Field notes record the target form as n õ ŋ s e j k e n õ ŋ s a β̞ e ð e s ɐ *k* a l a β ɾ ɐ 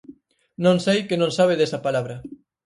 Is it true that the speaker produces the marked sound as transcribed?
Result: no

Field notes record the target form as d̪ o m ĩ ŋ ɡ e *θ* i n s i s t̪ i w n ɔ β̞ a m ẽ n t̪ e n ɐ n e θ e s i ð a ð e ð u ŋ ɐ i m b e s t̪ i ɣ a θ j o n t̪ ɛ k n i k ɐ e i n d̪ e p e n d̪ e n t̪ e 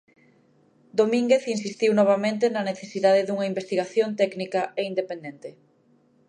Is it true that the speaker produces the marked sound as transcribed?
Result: yes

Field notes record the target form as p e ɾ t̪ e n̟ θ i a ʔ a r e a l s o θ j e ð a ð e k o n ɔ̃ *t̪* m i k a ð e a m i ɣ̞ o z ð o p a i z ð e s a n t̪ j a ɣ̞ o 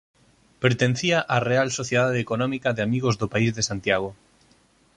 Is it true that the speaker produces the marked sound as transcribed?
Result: no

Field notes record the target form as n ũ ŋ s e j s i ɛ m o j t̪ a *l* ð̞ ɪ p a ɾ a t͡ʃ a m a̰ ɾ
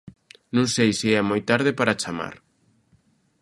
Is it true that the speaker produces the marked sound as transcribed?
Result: no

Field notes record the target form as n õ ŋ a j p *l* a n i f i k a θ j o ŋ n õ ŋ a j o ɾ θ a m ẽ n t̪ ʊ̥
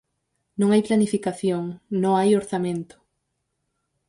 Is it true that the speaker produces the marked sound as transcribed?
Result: yes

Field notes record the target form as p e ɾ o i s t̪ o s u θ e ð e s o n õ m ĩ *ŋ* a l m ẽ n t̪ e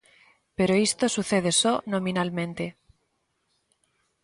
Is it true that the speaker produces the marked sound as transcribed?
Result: no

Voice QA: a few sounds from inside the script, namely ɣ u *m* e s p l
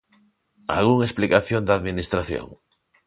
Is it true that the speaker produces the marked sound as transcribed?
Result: no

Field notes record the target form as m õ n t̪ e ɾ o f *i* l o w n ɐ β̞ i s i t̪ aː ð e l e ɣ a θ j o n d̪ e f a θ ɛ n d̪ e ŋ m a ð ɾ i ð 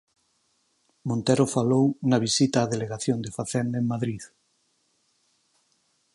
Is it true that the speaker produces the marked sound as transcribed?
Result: no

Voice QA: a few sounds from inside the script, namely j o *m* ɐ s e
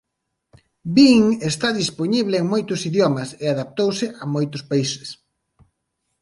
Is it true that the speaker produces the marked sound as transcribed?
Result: yes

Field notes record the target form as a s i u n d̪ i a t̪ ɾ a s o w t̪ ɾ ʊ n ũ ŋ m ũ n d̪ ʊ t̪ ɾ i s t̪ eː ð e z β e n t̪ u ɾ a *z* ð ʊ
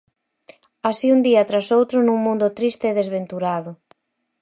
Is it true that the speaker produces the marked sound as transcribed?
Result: no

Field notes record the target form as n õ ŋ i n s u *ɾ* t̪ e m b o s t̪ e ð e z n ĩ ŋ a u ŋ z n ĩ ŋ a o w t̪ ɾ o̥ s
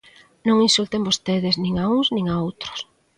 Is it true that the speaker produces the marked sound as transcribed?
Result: no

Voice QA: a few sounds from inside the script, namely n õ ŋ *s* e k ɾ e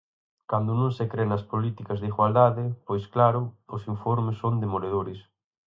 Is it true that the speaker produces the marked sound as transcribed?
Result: yes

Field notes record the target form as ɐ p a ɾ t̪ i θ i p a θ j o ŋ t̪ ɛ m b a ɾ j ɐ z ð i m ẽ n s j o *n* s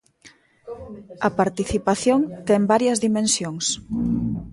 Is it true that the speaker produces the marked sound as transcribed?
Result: no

